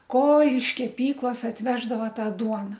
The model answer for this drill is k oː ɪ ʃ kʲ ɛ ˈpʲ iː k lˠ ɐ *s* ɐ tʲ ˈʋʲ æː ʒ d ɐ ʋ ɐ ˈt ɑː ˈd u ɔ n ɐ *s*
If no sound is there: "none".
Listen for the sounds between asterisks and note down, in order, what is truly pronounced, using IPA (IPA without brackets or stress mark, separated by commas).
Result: s, none